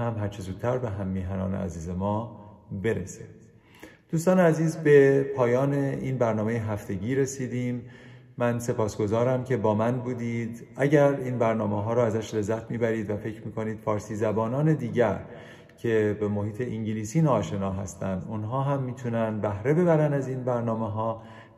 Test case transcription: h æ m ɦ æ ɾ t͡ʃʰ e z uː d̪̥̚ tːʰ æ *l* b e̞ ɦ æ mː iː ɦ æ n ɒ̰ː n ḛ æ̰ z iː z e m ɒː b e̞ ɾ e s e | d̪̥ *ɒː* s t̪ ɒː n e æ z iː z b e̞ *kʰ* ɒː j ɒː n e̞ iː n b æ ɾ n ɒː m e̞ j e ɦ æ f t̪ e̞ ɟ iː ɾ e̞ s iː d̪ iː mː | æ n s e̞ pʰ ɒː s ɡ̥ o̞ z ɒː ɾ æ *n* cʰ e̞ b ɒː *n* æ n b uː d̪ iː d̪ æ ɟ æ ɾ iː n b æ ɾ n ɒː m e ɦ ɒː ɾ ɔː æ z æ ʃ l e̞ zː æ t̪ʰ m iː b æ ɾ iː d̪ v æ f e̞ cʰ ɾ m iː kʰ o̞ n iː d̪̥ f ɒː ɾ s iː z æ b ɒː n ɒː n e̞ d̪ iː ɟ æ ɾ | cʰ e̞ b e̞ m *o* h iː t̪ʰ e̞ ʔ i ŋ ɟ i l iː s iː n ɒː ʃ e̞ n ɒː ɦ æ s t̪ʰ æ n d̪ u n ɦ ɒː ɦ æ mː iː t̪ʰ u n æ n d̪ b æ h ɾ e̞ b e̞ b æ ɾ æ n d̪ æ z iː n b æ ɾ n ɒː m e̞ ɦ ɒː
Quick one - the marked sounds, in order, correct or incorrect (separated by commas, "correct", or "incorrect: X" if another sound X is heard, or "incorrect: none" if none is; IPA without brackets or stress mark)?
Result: incorrect: ɾ, incorrect: uː, incorrect: pʰ, incorrect: m, incorrect: m, correct